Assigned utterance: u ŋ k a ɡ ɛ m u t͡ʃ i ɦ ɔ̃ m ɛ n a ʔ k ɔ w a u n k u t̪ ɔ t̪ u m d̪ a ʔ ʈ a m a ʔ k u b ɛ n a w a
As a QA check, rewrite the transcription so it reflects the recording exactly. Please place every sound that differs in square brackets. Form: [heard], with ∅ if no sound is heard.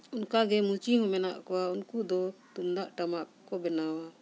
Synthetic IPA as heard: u [n] k a ɡ ɛ m u t͡ʃ i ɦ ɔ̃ m ɛ n a ʔ k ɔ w a u n k u [d̪] ɔ t̪ u m d̪ a ʔ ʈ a m a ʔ k [ɔ] b ɛ n a w a

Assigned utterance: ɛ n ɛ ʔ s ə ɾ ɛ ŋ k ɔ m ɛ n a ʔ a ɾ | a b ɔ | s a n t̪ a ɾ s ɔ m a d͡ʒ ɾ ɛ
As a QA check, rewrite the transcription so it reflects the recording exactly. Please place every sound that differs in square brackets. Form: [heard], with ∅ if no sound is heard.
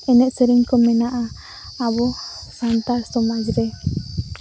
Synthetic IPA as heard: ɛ n ɛ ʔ s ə ɾ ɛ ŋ k ɔ m ɛ n a ʔ a [∅] | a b ɔ | s a n t̪ a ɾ s ɔ m a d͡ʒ ɾ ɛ

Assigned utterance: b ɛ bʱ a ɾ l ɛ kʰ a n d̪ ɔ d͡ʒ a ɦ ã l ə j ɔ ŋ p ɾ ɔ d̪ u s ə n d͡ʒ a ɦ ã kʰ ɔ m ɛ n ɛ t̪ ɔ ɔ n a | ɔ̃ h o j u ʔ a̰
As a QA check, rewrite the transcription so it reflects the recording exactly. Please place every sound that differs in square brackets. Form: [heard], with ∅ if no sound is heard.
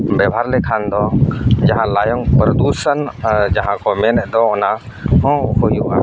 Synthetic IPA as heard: b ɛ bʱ a ɾ l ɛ kʰ a n d̪ ɔ d͡ʒ a ɦ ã l [a] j ɔ ŋ p ɾ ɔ d̪ u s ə n d͡ʒ a ɦ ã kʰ ɔ m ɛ n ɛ [d̪] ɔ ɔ n a | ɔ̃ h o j u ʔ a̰

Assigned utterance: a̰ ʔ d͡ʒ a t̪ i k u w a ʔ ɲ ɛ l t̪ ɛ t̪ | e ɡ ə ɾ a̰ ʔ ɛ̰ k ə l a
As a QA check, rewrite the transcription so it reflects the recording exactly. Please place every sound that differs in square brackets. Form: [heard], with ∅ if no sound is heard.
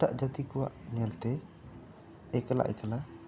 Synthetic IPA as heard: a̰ ʔ d͡ʒ a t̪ i k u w a ʔ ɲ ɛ l t̪ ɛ [∅] | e [k] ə [l] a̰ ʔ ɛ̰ k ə l a

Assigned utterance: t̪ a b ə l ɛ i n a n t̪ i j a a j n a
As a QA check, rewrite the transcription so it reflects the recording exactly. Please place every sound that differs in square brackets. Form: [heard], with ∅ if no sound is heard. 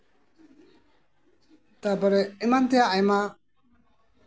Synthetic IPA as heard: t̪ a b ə [ɾ] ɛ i [m] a n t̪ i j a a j [m] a

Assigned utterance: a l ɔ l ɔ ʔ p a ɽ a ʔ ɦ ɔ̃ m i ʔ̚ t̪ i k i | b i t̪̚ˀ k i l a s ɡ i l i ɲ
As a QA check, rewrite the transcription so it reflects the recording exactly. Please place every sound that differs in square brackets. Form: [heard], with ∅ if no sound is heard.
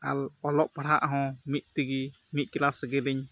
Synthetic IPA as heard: a l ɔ l ɔ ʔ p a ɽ a ʔ ɦ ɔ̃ m i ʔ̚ t̪ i [ɡ] i | [m] i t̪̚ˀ k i l a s ɡ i l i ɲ

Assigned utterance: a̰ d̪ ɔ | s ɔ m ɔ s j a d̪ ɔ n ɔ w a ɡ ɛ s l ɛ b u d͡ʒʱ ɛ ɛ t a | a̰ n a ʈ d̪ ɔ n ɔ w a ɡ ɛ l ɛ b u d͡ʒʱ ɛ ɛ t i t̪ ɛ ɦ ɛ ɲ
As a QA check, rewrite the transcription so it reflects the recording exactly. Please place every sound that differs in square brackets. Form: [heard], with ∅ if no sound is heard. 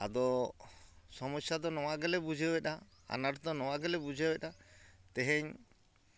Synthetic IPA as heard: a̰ d̪ ɔ | s ɔ m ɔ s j a d̪ ɔ n ɔ w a ɡ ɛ [∅] l ɛ b u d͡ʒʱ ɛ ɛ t a | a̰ n a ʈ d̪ ɔ n ɔ w a ɡ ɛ l ɛ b u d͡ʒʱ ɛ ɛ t [a] t̪ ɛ ɦ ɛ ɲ

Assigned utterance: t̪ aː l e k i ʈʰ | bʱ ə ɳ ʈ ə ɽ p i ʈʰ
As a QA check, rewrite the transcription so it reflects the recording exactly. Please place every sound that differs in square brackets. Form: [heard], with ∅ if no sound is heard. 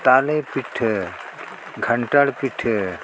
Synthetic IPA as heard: t̪ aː l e [p] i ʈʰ | [ɡʱ] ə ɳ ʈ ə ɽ p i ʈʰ

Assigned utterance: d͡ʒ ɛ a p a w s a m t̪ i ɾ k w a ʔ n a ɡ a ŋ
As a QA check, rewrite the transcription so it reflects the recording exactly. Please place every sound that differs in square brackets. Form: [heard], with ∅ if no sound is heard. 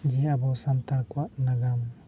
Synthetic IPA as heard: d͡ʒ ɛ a [b] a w s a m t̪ [a] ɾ k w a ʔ n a ɡ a [m]

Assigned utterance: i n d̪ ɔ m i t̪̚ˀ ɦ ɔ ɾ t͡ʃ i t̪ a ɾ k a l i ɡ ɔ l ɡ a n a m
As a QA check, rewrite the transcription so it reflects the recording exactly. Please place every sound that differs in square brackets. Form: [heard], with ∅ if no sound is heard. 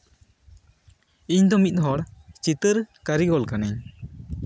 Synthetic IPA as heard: i [ɲ] d̪ ɔ m i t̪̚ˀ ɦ ɔ [ɽ] t͡ʃ i t̪ [ə] ɾ k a [ɾ] i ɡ ɔ l [k] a n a [ɲ]

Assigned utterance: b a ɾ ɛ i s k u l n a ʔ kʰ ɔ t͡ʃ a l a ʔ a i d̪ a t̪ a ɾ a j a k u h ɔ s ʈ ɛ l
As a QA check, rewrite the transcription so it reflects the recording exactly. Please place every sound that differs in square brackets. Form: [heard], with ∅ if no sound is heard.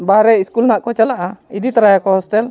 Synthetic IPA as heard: b a ɾ ɛ i s k u l n a ʔ [k] ɔ t͡ʃ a l a ʔ a i d̪ [i] t̪ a ɾ a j a k [ɔ] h ɔ s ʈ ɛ l

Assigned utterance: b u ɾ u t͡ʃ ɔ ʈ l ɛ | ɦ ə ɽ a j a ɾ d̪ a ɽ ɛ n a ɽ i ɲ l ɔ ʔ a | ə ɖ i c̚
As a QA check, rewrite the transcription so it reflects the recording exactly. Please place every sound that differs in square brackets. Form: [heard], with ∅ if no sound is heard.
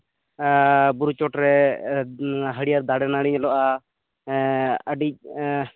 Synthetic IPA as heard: b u ɾ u t͡ʃ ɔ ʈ [ɾ] ɛ | ɦ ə ɽ [i] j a ɾ d̪ a ɽ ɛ n a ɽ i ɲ l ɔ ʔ a | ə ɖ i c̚

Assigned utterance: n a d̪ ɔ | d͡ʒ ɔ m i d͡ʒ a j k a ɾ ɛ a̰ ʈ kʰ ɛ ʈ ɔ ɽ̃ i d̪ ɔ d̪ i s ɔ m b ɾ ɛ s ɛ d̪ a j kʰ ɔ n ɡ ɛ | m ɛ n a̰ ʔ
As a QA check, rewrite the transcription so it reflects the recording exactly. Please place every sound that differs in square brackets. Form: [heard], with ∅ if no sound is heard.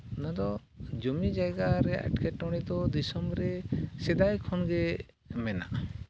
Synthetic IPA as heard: n a d̪ ɔ | d͡ʒ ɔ m i d͡ʒ a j [ɡ] a ɾ ɛ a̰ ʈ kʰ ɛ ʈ ɔ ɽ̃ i d̪ ɔ d̪ i s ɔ m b ɾ ɛ s ɛ d̪ a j kʰ ɔ n ɡ ɛ | m ɛ n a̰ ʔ

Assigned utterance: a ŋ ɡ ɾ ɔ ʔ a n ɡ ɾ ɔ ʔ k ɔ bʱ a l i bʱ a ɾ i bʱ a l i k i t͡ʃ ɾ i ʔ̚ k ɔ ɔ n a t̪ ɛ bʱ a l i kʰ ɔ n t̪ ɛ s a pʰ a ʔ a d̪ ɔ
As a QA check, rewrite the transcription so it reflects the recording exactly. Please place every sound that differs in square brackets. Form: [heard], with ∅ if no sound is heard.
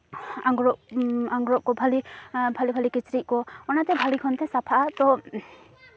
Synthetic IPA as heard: a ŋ ɡ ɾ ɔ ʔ a [ŋ] ɡ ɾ ɔ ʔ k ɔ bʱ a l i bʱ a [l] i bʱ a l i k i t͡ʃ ɾ i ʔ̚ k ɔ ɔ n a t̪ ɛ bʱ a l i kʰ ɔ n t̪ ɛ s a pʰ a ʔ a [t̪] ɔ

